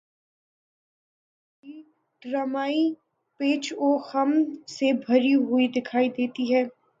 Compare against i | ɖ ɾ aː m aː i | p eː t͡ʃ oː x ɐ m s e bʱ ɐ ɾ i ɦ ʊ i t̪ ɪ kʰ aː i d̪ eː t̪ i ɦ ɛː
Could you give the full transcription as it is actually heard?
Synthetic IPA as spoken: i | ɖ ɾ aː m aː i | p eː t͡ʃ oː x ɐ m s e bʱ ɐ ɾ i ɦ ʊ i d̪ ɪ kʰ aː i d̪ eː t̪ i ɦ ɛː